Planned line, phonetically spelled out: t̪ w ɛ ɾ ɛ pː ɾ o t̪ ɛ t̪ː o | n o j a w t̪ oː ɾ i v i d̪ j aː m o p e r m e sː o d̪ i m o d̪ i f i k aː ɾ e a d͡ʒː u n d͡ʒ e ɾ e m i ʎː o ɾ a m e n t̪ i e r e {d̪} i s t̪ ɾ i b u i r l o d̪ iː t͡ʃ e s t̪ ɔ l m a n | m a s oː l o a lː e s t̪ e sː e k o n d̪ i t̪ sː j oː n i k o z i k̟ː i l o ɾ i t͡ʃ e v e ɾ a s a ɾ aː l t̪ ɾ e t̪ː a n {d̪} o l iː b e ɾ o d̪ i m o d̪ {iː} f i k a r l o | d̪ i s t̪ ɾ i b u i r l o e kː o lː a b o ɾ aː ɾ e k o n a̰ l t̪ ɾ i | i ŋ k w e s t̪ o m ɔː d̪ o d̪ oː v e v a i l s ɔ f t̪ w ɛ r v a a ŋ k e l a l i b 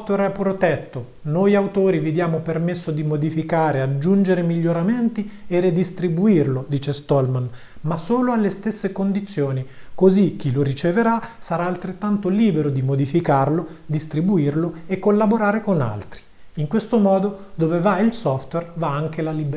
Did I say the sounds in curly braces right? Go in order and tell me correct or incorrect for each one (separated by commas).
correct, incorrect, incorrect